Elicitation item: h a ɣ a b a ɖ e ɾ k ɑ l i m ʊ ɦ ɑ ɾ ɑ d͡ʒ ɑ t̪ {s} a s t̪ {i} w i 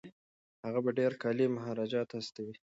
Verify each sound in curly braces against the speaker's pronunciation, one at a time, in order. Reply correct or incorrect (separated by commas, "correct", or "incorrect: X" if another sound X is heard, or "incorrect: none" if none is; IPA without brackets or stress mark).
incorrect: h, incorrect: a